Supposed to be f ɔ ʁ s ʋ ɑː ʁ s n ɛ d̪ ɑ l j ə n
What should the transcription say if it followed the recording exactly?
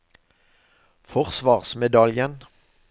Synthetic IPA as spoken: f ɔ ʁ s ʋ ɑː ʁ s m ɛ d̪ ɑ l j ə n

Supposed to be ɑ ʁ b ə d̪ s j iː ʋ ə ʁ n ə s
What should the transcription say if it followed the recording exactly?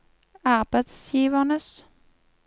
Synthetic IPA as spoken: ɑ ʁ b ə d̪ s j iː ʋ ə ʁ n ə s

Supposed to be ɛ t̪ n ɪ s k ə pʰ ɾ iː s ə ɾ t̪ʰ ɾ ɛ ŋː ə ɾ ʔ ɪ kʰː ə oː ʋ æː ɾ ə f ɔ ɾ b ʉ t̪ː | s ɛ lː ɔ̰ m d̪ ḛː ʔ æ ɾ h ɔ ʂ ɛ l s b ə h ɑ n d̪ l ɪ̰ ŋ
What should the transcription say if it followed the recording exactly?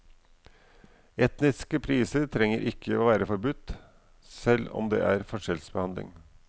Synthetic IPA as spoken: ɛ t̪ n ɪ s k ə pʰ ɾ iː s ə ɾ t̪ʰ ɾ ɛ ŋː ə ɾ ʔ ɪ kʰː ə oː ʋ æː ɾ ə f ɔ ɾ b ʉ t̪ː | s ɛ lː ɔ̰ m d̪ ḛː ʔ æ ɾ f ɔ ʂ ɛ l s b ə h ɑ n d̪ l ɪ̰ ŋ

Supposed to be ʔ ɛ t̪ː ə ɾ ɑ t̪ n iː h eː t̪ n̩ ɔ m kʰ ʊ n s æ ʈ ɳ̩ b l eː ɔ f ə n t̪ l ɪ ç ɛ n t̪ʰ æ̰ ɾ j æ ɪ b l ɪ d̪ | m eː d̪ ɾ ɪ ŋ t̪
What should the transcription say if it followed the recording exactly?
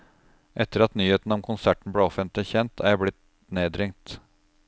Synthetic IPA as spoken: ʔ ɛ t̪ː ə ɾ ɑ t̪ n yː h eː t̪ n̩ ɔ m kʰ ʊ n s æ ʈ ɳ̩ b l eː ɔ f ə n t̪ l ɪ ç ɛ n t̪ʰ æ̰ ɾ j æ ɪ b l ɪ t̪ | n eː d̪ ɾ ɪ ŋ t̪

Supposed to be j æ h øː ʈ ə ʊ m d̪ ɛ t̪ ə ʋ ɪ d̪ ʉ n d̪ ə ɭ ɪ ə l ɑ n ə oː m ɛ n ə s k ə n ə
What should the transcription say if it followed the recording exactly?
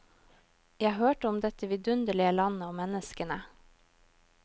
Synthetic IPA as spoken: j æ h øː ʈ ə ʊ m d̪ ɛ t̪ ə ʋ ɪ d̪ ʉ n d̪ ə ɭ ɪ ə l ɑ n ə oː m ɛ n ə s k ə n ə

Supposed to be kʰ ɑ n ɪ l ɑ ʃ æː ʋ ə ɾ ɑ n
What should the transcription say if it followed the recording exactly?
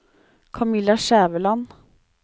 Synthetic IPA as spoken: kʰ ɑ m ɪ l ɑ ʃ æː ʋ ə l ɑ n

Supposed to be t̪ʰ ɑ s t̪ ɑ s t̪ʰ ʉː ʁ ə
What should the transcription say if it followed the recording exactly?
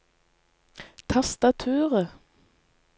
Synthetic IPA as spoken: t̪ʰ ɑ s t̪ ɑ t̪ʰ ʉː ʁ ə

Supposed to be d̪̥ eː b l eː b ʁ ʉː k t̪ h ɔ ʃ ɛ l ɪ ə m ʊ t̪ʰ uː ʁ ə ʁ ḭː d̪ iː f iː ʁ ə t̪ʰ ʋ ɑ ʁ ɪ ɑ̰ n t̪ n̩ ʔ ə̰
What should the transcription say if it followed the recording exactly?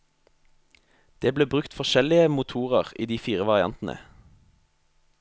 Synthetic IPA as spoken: d̪̥ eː b l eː b ʁ ʉ k t̪ f ɔ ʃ ɛ l ɪ ə m ʊ t̪ʰ uː ʁ ə ʁ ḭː d̪ iː f iː ʁ ə ʋ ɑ ʁ ɪ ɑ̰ n t̪ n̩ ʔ ə̰

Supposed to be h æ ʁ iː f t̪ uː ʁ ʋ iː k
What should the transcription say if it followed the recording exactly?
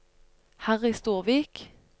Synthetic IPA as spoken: h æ ʁ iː s t̪ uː ʁ ʋ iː k

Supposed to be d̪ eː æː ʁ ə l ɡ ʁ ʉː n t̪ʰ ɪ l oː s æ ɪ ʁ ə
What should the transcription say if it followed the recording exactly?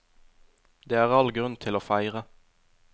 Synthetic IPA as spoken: d̪ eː æː ʁ ɑ l ɡ ʁ ʉ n t̪ʰ ɪ l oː f æ ɪ ʁ ə

